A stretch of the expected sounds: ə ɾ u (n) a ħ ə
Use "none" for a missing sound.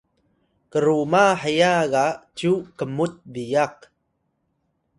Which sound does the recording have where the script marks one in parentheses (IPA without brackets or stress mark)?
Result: m